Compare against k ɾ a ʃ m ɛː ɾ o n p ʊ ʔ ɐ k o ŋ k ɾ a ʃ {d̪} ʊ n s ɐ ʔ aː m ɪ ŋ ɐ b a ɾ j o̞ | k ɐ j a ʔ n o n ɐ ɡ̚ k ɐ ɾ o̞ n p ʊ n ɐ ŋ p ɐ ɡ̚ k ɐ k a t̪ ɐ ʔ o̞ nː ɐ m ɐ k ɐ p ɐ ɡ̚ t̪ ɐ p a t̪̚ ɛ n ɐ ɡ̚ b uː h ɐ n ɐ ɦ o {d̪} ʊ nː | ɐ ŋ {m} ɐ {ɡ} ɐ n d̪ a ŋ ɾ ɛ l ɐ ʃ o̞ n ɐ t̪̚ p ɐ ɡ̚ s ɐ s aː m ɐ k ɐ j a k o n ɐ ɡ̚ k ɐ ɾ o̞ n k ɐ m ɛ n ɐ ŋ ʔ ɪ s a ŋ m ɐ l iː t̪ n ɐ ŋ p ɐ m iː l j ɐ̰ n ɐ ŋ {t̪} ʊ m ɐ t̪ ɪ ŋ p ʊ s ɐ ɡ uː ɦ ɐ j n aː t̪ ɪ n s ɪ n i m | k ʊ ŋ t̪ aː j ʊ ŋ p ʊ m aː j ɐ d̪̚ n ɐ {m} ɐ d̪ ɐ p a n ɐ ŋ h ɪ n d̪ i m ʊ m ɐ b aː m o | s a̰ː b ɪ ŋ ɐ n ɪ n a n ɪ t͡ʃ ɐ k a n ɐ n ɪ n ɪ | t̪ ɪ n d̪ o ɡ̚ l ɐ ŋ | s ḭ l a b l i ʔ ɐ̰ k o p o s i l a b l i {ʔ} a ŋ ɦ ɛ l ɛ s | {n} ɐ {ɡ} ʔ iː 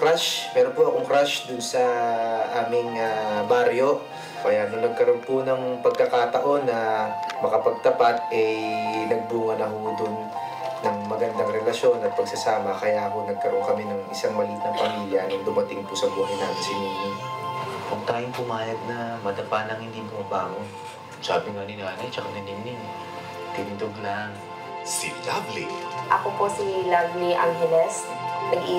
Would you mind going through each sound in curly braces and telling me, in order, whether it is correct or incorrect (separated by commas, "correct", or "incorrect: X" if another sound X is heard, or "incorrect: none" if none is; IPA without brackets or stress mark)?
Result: correct, correct, correct, correct, incorrect: d̪, correct, correct, correct, correct